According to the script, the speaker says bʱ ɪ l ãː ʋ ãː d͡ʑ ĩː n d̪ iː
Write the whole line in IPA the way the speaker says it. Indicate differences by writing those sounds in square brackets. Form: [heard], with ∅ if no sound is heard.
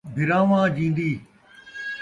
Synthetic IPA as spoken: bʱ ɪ [ɾ] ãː ʋ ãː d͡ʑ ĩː n d̪ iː